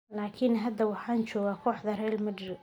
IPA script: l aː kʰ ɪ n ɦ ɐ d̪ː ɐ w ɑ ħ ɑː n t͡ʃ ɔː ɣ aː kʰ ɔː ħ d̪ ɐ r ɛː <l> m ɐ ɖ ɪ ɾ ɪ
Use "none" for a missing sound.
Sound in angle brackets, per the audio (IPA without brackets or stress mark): l